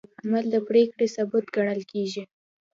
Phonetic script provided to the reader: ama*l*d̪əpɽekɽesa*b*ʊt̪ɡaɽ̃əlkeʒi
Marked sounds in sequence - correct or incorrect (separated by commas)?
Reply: correct, correct